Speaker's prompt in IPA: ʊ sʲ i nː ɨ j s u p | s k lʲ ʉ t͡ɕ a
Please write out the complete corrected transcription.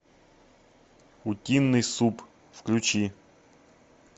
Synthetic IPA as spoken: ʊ tʲ i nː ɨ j s u p | f k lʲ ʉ t͡ɕ i